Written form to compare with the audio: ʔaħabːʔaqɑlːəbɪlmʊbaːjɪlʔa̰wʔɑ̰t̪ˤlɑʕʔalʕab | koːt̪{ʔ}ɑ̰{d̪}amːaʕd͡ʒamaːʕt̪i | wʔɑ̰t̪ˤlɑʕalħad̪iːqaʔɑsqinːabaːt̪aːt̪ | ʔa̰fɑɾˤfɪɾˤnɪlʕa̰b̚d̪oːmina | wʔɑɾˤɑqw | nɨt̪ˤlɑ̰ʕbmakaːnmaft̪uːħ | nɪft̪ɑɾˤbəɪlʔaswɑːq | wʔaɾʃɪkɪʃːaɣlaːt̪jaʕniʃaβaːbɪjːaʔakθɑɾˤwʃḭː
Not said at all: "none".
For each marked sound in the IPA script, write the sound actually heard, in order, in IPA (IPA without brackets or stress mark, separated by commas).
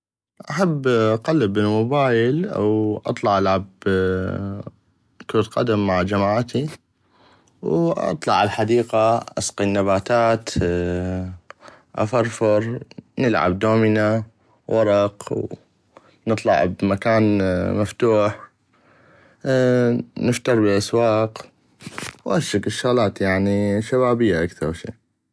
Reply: q, d̪